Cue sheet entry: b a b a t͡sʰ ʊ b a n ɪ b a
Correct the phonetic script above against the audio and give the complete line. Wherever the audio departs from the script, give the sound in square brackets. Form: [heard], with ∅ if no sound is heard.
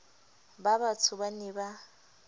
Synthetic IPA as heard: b a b a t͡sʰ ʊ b a n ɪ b a